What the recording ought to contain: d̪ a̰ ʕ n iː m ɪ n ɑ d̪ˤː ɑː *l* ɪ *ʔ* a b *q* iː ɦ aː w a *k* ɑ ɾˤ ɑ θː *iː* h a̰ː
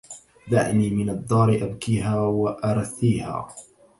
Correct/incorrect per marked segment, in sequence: incorrect, correct, incorrect, incorrect, correct

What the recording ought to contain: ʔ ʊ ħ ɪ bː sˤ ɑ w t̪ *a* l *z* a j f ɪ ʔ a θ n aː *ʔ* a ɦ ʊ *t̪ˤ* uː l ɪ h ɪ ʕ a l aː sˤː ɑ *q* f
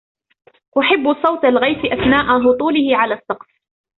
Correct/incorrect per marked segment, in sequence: correct, incorrect, correct, correct, correct

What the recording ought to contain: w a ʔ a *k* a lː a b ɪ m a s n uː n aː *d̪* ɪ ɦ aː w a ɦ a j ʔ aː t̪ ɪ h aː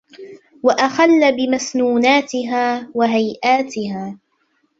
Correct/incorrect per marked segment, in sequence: incorrect, incorrect

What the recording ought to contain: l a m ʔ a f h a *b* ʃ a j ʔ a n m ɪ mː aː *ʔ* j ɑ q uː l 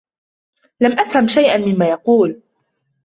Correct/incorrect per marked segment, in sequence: incorrect, incorrect

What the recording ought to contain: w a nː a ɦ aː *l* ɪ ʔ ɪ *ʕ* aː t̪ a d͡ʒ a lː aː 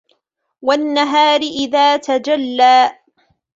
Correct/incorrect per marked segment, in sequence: incorrect, incorrect

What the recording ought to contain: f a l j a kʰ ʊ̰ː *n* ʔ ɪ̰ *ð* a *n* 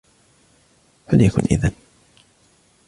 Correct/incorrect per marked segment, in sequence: correct, correct, correct

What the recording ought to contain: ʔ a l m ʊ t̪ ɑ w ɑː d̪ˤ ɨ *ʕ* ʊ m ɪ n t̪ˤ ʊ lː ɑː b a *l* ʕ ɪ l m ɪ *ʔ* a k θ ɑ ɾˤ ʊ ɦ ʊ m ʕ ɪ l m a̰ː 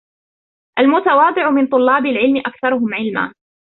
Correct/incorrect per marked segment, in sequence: correct, correct, correct

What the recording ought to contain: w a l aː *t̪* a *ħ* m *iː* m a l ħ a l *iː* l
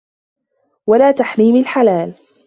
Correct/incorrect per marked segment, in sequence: correct, correct, correct, incorrect

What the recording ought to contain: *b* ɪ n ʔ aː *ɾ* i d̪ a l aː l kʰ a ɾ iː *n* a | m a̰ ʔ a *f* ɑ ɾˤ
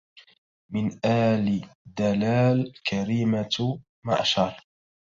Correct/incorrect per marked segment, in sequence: incorrect, incorrect, incorrect, incorrect

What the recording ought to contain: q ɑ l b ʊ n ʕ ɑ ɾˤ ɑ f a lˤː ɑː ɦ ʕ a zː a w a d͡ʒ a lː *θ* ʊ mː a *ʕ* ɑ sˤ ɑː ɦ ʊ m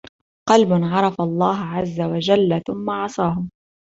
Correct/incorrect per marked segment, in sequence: correct, correct

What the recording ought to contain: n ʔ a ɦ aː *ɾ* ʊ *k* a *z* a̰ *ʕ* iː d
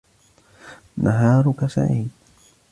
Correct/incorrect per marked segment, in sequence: correct, correct, incorrect, correct

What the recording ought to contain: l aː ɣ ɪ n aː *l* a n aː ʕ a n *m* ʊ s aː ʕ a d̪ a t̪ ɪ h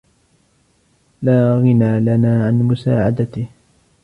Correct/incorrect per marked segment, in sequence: correct, correct

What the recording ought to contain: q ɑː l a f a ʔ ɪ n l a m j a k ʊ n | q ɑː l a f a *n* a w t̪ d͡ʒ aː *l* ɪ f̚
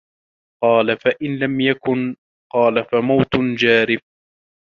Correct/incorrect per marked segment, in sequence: incorrect, incorrect

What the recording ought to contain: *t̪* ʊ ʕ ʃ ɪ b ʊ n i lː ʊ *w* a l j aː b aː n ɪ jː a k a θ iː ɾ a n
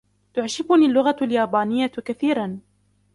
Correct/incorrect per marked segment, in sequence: correct, incorrect

